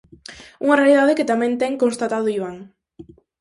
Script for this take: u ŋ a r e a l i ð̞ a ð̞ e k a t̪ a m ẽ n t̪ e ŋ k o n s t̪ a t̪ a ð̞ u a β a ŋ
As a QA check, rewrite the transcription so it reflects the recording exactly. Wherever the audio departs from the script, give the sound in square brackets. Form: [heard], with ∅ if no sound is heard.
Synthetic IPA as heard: u ŋ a r e a l i ð̞ a ð̞ e k [e] t̪ a m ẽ n t̪ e ŋ k o n s t̪ a t̪ a ð̞ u [i] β a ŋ